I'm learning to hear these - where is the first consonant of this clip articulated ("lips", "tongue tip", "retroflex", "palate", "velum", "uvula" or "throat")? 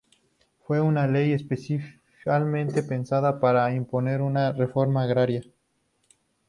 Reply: lips